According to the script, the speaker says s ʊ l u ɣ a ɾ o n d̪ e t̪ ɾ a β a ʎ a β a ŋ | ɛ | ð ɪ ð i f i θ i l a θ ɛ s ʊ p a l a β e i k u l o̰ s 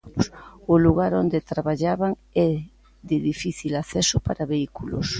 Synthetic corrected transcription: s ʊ l u ɣ a ɾ o n d̪ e t̪ ɾ a β a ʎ a β a ŋ | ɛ | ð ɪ ð i f i θ i l a θ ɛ s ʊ p a ɾ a β e i k u l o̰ s